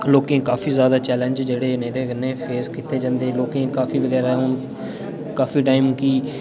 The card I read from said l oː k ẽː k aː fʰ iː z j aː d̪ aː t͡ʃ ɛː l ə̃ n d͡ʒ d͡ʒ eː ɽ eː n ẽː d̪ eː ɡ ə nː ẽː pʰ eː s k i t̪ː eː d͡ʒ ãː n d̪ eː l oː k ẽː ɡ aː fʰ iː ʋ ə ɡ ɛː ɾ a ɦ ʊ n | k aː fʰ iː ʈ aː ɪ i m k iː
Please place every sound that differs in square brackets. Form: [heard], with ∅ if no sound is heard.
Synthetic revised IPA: l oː k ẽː k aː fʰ iː z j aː d̪ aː t͡ʃ ɛː l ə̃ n d͡ʒ d͡ʒ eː ɽ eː n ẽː d̪ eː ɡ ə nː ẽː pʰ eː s k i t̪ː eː d͡ʒ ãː n d̪ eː l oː k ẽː [k] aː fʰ iː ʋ ə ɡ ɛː ɾ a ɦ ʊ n | k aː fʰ iː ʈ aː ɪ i m k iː